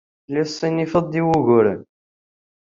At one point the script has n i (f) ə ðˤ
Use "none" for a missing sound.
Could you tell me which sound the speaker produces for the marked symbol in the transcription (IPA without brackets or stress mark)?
f